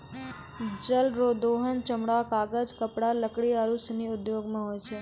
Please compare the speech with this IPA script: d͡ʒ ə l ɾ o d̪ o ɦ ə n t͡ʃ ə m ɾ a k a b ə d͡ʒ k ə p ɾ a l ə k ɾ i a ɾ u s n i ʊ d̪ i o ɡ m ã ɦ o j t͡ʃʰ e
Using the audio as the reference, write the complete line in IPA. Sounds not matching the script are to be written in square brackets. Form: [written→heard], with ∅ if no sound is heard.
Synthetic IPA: d͡ʒ ə l ɾ o d̪ o ɦ ə n t͡ʃ ə m [ɾ→ɽ] a k a [b→ɡ] ə d͡ʒ k ə p [ɾ→ɽ] a l ə k [ɾ→ɽ] i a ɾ u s n i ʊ d̪ [i→j] o ɡ m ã ɦ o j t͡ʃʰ e